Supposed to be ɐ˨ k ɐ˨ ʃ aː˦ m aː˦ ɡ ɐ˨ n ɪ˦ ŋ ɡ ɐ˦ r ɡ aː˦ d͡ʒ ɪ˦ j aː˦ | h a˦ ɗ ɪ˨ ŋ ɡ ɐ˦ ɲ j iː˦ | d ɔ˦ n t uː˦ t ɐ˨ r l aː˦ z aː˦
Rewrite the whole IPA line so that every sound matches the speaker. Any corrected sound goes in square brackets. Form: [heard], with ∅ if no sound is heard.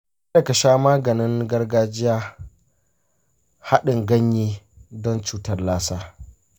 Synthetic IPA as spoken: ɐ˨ k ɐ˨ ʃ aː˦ m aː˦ ɡ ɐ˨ n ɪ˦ ŋ ɡ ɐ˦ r ɡ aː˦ d͡ʒ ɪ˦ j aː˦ | h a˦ ɗ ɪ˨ ŋ ɡ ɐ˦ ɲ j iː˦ | d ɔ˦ n [t͡ʃ] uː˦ t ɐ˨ r l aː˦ [s] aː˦